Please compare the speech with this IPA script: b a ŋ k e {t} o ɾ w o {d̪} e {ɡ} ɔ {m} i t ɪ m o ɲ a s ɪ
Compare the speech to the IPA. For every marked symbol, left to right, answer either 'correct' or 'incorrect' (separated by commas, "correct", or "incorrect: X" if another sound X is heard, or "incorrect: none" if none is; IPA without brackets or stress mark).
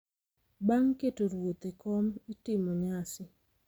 correct, incorrect: t̪, incorrect: k, correct